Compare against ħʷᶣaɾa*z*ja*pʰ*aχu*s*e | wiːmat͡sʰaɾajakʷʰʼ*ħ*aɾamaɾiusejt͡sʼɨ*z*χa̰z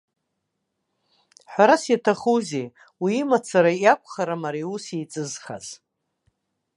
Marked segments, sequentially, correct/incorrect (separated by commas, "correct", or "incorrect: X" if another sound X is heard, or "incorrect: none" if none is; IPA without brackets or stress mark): incorrect: s, incorrect: tʰ, incorrect: z, incorrect: χ, correct